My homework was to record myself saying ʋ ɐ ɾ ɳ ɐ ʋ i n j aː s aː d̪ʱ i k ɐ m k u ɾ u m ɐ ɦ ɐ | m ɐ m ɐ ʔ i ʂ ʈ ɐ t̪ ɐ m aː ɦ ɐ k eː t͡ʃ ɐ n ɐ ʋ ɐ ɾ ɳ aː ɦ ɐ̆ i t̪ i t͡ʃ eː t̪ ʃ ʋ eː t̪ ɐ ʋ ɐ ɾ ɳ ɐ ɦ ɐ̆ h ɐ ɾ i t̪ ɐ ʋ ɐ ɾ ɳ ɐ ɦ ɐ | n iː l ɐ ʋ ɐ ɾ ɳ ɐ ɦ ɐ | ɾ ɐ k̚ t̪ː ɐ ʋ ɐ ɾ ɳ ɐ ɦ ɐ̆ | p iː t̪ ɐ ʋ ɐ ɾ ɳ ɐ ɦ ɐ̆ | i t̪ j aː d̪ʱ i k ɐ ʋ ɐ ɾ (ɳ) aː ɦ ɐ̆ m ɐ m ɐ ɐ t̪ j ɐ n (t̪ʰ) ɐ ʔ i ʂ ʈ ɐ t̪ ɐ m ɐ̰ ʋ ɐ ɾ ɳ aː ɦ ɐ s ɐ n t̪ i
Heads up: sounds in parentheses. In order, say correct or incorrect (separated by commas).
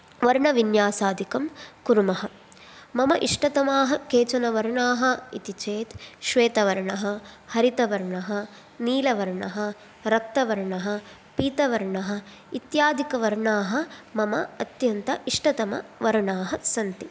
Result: correct, incorrect